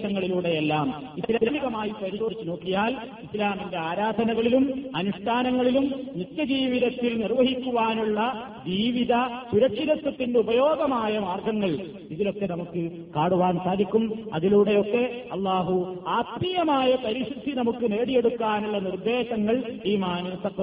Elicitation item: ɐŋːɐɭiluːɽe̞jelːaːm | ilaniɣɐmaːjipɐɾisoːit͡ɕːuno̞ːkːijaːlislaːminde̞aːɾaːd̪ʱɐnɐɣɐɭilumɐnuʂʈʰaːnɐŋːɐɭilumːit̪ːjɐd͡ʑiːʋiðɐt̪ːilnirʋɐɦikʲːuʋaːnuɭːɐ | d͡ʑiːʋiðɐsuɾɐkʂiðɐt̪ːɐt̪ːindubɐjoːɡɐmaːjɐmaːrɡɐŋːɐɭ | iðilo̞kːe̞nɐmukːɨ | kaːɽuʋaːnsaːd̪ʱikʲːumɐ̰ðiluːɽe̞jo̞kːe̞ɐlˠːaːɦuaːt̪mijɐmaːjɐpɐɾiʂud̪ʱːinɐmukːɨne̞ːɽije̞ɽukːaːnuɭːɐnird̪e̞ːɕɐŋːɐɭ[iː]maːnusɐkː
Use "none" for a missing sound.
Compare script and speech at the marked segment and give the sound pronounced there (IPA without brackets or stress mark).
iː